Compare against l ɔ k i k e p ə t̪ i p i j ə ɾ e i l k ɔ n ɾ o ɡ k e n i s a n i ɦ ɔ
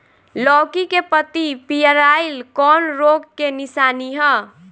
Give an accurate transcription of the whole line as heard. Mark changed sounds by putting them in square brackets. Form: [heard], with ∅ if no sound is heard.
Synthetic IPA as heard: l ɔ k i k e p ə t̪ i p i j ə ɾ [a] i l k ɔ n ɾ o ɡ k e n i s a n i ɦ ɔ